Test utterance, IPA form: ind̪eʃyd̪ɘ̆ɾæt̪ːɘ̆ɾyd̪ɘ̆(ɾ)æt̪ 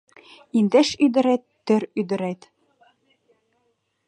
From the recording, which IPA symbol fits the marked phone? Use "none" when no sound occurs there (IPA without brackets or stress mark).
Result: ɾ